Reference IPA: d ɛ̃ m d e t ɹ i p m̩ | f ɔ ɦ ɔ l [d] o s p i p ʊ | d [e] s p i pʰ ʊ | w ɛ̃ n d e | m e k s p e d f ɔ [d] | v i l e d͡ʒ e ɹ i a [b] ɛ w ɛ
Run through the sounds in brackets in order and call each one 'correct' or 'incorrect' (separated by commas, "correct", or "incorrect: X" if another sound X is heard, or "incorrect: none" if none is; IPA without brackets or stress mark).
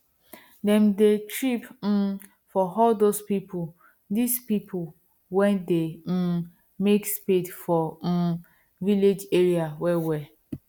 correct, incorrect: i, incorrect: none, incorrect: w